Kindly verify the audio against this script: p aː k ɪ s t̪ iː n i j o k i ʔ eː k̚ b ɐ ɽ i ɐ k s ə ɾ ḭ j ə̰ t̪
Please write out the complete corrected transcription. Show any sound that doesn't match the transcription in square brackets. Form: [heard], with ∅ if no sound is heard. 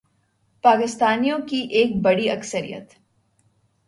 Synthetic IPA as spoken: p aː k ɪ s t̪ [aː] n i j [õ] k i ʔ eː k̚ b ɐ ɽ i ɐ k s ə ɾ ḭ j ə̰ t̪